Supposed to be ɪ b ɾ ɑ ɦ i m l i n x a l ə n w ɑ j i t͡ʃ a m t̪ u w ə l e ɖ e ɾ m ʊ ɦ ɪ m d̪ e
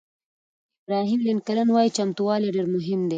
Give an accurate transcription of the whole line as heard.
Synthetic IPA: ɪ b ɾ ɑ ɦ i m l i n k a l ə n w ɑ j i t͡ʃ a m t̪ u w ɑ l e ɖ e ɾ m ʊ ɦ ɪ m d̪ e

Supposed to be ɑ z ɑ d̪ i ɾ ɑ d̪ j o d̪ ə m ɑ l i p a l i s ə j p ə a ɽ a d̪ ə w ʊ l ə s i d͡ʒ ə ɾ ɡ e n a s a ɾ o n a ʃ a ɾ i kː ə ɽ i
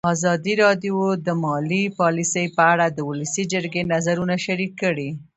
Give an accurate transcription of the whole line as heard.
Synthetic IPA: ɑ z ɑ d̪ i ɾ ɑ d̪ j o d̪ ə m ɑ l i p ɑ l i s ə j p ə a ɽ a d̪ ə w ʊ l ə s i d͡ʒ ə ɾ ɡ e n a z a ɾ u n a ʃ a ɾ i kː ə ɽ i

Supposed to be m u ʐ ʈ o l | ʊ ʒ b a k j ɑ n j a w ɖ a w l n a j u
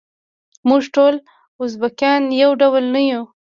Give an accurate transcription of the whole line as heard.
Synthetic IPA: m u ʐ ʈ o l | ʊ z b a k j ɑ n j a w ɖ a w l n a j u

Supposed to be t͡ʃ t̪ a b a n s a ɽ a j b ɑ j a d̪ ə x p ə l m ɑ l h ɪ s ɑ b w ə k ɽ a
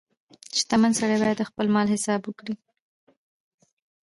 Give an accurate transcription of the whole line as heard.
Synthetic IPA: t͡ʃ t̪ a m a n s a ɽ a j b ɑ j a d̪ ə x p ə l m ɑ l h ɪ s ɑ b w ə k ɽ i

